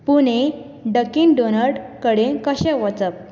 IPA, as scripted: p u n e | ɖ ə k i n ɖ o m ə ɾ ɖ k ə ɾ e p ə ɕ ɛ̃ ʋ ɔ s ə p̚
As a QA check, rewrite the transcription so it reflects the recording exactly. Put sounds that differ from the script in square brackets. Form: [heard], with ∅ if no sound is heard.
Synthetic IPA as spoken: p u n e | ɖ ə k i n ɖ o [n] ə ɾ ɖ k ə [ɽ] e [k] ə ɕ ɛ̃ ʋ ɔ [t͡s] ə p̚